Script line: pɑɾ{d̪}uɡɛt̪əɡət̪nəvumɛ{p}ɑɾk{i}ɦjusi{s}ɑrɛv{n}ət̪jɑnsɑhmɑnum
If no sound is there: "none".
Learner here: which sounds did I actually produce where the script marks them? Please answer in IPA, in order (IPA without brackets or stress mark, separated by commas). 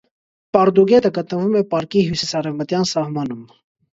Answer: d̪, p, i, s, m